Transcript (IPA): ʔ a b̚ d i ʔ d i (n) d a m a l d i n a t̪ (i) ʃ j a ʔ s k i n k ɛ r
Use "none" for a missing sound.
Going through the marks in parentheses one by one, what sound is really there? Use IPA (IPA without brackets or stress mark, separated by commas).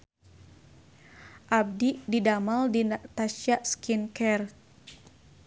none, a